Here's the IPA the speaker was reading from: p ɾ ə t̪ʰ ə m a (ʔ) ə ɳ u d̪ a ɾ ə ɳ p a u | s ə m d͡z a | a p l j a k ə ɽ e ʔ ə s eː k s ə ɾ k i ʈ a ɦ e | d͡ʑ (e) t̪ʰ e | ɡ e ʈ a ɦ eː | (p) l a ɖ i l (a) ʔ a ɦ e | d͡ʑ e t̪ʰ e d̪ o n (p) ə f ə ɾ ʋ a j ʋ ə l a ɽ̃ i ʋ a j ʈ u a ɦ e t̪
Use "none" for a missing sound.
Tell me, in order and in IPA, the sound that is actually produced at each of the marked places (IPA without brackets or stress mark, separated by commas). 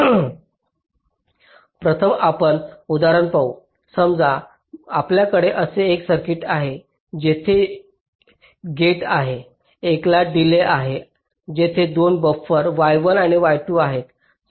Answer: p, e, k, e, b